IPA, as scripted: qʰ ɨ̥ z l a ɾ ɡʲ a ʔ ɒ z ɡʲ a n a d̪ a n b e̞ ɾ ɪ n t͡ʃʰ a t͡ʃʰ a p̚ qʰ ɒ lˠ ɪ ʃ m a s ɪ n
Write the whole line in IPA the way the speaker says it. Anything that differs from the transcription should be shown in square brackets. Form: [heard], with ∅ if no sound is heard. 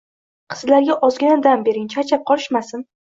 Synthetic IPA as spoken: qʰ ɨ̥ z l a ɾ ɡʲ a ʔ ɒ z ɡʲ a n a d̪ a n b e̞ ɾ ɪ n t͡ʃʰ a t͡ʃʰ a p̚ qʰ ɒ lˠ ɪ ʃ m a s ɪ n